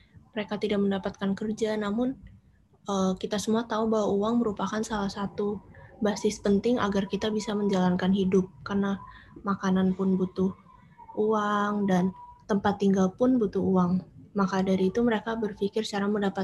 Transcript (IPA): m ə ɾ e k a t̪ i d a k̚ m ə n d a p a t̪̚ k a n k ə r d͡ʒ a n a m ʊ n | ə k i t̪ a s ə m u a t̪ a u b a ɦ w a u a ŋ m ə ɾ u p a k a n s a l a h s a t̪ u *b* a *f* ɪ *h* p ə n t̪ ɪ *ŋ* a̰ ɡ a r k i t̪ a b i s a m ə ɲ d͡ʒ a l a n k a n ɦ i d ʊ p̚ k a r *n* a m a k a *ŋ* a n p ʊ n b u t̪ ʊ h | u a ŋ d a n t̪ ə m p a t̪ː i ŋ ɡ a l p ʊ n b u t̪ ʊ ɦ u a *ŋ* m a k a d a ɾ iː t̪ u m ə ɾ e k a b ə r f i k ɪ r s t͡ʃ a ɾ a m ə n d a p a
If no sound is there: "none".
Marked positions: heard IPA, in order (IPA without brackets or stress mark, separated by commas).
b, s, s, ŋ, n, n, ŋ